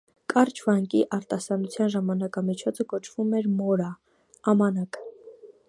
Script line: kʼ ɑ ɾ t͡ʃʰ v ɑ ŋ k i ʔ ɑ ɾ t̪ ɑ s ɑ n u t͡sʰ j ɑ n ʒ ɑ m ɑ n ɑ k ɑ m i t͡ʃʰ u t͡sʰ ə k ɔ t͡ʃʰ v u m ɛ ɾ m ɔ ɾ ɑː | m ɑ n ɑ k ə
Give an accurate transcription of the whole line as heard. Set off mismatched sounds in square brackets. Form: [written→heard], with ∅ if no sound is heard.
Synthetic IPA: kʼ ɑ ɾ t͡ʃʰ v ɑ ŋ k i ʔ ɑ ɾ t̪ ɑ s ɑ n u t͡sʰ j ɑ n ʒ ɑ m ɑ n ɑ k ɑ m i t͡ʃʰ [u→ɔ] t͡sʰ ə k ɔ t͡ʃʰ v u m ɛ ɾ m ɔ ɾ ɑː | m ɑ n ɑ k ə